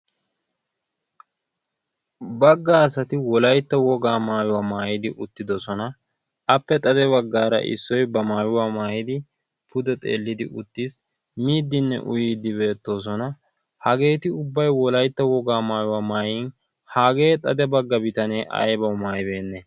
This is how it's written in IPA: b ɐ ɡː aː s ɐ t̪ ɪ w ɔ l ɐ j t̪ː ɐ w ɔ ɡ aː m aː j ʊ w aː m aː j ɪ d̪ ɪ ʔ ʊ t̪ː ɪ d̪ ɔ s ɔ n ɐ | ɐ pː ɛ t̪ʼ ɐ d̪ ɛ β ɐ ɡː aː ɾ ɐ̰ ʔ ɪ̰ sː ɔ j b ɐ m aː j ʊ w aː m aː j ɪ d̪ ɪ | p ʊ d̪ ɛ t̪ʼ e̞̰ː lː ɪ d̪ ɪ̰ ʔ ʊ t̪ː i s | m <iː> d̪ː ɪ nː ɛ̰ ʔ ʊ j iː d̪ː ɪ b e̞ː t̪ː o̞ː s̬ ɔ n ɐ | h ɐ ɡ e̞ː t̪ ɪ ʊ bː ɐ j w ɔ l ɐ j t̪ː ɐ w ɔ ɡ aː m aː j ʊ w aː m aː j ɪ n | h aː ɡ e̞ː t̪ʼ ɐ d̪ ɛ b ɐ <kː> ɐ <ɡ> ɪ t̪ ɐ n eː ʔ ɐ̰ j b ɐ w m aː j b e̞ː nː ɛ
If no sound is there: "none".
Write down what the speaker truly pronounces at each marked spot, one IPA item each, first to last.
iː, ɡː, b

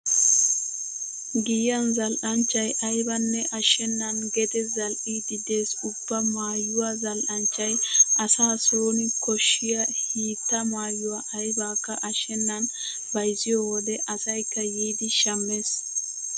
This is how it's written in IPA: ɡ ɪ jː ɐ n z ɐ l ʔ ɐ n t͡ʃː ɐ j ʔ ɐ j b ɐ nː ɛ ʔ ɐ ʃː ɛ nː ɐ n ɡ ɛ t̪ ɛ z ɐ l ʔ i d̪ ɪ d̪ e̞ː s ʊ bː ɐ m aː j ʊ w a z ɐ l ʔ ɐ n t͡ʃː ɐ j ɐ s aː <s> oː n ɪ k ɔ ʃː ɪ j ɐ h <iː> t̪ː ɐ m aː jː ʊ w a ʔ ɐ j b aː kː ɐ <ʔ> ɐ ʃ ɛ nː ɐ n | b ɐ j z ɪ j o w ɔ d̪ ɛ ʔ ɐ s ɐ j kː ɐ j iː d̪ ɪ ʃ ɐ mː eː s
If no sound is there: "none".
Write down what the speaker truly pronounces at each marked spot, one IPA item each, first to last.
s, iː, ʔ

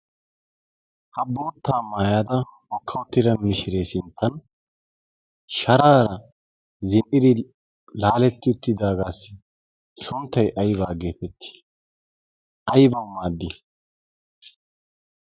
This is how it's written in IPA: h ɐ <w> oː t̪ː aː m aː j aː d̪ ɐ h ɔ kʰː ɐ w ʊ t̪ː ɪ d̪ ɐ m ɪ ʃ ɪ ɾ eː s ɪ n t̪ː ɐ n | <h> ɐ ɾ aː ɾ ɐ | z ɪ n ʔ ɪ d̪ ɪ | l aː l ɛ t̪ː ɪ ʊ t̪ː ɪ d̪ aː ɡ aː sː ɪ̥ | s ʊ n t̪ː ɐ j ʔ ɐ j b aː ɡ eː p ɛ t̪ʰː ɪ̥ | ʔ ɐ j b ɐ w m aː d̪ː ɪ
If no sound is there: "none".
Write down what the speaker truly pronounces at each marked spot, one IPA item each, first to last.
b, ʃ

